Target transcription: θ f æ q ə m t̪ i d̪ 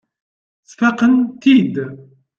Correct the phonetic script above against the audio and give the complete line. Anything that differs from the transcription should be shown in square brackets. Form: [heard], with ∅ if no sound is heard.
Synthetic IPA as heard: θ f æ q ə [n] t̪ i d̪